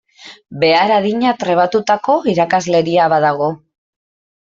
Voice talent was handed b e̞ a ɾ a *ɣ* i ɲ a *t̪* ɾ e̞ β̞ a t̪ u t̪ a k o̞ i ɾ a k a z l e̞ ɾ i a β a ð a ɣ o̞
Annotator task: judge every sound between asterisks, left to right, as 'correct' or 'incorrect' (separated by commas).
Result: incorrect, correct